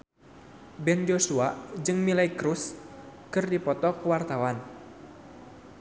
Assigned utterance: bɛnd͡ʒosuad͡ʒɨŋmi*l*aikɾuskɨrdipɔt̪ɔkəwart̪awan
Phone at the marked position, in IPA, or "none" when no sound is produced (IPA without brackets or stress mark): l